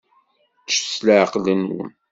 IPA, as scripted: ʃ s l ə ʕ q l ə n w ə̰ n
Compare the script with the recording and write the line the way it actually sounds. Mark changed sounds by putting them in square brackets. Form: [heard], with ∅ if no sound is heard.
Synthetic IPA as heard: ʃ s l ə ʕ q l ə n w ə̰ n